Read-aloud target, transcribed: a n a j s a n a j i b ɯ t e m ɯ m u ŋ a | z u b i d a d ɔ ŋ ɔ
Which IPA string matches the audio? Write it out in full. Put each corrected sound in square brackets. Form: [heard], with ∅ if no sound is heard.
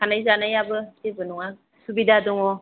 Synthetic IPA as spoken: a n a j [z] a n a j [a] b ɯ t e [b] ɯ [n] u ŋ a | [s] u b i d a d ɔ ŋ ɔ